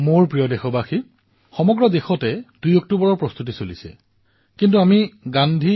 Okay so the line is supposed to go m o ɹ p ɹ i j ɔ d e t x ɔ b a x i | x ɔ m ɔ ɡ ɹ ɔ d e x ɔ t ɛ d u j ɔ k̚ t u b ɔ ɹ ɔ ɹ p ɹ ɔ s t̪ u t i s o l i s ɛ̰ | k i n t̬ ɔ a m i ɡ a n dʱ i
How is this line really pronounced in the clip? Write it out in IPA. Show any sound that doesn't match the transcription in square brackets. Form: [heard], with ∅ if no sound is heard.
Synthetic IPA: m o ɹ p ɹ i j ɔ d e [∅] x ɔ b a x i | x ɔ m ɔ ɡ ɹ ɔ d e x ɔ t ɛ d u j ɔ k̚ t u b ɔ ɹ ɔ ɹ p ɹ ɔ s t̪ u t i s o l i s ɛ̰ | k i n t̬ [u] a m i ɡ a n dʱ i